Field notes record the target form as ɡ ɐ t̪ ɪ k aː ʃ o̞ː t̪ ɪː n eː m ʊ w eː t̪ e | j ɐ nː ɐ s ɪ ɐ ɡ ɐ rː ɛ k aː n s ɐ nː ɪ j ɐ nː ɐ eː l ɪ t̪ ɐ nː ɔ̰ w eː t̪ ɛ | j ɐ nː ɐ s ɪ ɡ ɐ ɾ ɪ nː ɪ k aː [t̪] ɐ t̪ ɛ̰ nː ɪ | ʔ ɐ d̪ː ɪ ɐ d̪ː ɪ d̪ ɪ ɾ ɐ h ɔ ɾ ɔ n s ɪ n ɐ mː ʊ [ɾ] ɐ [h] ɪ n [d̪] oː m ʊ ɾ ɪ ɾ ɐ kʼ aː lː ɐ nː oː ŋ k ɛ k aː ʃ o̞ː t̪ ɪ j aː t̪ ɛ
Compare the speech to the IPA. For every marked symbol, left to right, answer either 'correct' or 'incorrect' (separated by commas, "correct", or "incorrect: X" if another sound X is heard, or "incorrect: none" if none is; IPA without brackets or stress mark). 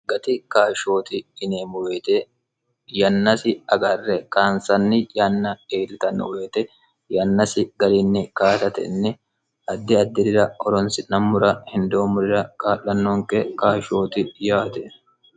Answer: correct, correct, correct, correct